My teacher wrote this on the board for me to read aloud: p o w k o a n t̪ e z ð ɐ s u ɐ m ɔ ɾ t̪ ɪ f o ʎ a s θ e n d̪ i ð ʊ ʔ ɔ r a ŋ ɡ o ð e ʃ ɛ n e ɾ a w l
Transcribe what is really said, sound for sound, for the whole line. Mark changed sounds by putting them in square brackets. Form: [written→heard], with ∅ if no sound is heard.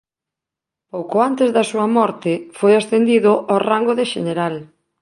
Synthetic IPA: p o w k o a n t̪ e z ð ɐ s u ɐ m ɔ ɾ t̪ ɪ f o [ʎ→j] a s θ e n d̪ i ð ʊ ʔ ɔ r a ŋ ɡ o ð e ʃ [ɛ→e] n e ɾ a [w→∅] l